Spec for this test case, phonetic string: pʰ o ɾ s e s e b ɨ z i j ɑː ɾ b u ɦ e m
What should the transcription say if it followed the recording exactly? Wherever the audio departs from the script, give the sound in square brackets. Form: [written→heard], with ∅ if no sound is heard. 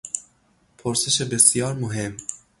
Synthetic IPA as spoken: pʰ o ɾ s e [s→ʃ] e b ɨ [z→s] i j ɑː ɾ [b→m] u ɦ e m